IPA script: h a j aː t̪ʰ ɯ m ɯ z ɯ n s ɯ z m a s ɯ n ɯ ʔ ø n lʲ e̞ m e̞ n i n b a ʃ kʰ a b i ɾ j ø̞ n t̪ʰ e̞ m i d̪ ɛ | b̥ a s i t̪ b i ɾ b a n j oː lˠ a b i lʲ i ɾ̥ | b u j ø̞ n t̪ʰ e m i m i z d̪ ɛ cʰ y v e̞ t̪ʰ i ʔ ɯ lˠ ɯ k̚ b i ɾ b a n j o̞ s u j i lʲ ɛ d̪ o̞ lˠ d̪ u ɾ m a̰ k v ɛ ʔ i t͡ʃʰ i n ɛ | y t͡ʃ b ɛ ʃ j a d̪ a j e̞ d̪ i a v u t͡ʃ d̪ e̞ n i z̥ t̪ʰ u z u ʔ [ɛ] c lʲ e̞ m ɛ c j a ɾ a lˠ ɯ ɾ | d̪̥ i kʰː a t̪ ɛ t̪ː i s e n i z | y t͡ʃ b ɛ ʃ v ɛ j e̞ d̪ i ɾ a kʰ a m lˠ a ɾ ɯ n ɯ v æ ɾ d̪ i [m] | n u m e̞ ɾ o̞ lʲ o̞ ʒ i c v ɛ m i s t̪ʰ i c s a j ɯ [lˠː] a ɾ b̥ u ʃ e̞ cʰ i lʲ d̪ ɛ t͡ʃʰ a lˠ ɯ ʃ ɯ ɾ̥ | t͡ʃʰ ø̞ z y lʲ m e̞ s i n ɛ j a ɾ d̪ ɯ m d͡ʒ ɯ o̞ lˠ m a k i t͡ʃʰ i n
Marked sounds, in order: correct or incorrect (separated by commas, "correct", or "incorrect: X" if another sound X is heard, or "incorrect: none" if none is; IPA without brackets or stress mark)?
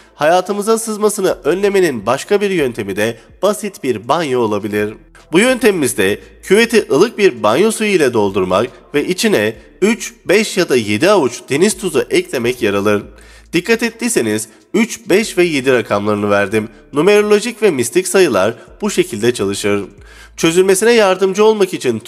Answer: correct, correct, incorrect: lˠ